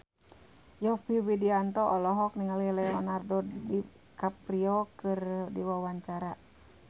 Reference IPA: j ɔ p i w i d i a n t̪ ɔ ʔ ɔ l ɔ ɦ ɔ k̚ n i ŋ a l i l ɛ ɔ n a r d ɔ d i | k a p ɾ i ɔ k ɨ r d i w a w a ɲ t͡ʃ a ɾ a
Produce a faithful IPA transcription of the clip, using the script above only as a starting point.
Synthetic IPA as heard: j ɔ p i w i d i a n t̪ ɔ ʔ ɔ l ɔ ɦ ɔ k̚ n i ŋ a l i l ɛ ɔ n a r d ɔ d i | k a p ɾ i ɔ k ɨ r d i w a w a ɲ t͡ʃ a ɾ a